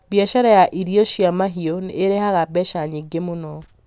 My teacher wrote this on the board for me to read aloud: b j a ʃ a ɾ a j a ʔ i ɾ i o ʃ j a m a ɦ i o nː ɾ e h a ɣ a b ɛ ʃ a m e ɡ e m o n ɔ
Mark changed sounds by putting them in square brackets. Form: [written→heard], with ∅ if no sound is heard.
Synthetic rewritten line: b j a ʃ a ɾ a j a ʔ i ɾ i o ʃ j a m a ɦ i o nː ɾ e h a ɣ a b ɛ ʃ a [m→ɲ] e ɡ e m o n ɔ